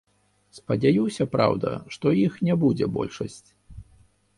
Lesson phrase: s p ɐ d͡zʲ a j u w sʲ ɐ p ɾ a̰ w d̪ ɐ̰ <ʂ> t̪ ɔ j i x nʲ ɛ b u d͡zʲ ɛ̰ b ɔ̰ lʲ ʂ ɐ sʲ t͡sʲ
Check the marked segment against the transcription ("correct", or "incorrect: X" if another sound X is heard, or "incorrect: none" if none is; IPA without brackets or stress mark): correct